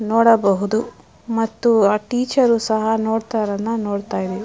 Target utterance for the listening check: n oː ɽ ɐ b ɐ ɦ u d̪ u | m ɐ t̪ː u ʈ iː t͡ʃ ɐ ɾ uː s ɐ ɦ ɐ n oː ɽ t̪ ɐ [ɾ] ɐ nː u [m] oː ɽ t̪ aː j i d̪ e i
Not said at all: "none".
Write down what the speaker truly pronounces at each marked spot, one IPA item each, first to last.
ɾ, n

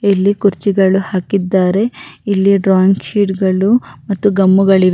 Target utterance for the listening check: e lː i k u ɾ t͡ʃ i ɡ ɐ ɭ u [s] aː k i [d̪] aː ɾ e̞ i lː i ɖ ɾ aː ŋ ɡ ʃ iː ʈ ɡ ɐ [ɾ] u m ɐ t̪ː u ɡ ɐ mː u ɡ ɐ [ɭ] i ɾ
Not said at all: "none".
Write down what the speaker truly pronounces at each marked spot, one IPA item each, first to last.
h, d̪ː, ɭ, ɭ

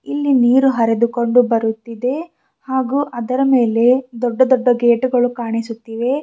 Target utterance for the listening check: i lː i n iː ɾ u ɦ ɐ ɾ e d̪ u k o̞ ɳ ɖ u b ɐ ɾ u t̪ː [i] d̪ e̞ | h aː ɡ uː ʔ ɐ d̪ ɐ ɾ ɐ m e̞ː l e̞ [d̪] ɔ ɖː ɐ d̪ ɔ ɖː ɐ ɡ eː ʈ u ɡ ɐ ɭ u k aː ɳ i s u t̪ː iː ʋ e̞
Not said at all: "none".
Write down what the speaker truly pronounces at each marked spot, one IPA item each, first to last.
i, d̪

